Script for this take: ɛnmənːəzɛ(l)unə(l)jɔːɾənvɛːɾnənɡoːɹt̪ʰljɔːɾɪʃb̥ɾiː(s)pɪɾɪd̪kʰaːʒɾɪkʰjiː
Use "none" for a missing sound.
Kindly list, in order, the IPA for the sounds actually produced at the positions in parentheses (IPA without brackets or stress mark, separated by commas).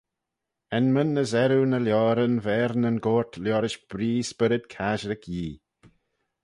ɾ, l, s